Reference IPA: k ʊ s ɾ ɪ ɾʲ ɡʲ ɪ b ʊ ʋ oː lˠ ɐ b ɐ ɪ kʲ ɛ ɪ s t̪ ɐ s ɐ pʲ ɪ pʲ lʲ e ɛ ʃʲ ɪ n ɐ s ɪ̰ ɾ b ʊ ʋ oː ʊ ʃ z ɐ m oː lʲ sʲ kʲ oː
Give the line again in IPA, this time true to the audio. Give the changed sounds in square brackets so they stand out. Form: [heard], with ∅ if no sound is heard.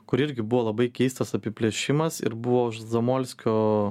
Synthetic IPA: k ʊ [∅] ɾ ɪ ɾʲ ɡʲ ɪ b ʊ ʋ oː lˠ ɐ b ɐ ɪ kʲ ɛ ɪ s t̪ ɐ s ɐ pʲ ɪ pʲ lʲ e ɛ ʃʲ ɪ [m] ɐ s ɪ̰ ɾ b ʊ ʋ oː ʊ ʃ z ɐ m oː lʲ sʲ kʲ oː